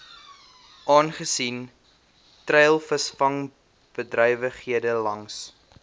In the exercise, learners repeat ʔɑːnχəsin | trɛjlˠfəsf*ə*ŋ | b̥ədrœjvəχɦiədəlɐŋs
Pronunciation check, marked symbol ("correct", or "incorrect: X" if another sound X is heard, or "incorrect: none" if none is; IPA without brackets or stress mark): incorrect: ɐ